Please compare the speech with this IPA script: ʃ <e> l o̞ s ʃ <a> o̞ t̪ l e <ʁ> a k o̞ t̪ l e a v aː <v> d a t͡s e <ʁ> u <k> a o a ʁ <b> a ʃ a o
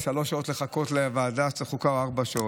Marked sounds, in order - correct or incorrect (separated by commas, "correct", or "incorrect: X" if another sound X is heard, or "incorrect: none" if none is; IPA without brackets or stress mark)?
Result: incorrect: a, correct, incorrect: χ, incorrect: none, incorrect: χ, correct, correct